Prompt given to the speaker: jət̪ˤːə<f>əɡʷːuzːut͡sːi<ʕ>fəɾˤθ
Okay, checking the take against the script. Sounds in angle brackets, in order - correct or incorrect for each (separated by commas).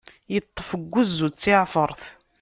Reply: correct, correct